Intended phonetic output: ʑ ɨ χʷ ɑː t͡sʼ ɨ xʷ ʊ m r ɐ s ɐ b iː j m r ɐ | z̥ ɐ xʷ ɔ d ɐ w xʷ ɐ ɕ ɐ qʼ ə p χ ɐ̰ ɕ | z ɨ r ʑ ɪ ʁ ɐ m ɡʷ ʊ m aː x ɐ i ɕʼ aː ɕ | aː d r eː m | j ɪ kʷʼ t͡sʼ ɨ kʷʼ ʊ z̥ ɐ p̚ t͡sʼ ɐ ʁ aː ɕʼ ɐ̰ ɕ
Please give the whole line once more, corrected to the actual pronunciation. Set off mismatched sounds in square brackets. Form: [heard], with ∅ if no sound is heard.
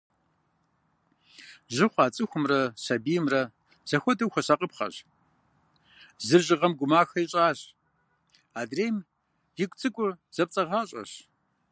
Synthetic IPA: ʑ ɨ χʷ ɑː t͡sʼ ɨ xʷ ʊ m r ɐ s ɐ b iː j m r ɐ | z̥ ɐ xʷ ɔ d ɐ w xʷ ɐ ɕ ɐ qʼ ə p χ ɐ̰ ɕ | z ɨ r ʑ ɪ ʁ ɐ m ɡʷ ʊ m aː x ɐ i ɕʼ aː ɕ | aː d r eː m | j ɪ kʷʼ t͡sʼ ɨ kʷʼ ʊ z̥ ɐ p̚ t͡sʼ ɐ ʁ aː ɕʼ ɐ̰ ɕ